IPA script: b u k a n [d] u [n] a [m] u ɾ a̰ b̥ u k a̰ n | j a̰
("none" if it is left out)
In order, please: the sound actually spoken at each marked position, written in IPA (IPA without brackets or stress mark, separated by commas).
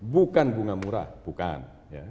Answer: b, ŋ, m